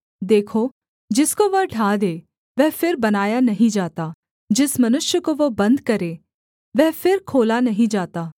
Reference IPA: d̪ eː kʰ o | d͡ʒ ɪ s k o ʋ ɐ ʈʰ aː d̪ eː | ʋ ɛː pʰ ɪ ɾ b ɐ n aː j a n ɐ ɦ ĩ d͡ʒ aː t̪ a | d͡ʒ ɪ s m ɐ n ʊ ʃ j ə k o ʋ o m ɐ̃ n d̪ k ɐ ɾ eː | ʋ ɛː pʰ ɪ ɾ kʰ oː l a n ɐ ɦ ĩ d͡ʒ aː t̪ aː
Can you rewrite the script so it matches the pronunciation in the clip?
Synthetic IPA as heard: d̪ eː kʰ o | d͡ʒ ɪ s k o ʋ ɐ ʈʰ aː d̪ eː | ʋ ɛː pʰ ɪ ɾ b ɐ n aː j a n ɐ ɦ ĩ d͡ʒ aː t̪ a | d͡ʒ ɪ s m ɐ n ʊ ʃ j ə k o ʋ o b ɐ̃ n d̪ k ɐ ɾ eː | ʋ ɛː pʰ ɪ ɾ kʰ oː l a n ɐ ɦ ĩ d͡ʒ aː t̪ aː